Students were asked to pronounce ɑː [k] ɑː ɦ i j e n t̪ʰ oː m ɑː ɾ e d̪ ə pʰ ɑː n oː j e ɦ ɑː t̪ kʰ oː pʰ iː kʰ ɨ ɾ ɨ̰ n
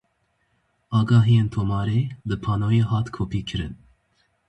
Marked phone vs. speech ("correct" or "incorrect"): incorrect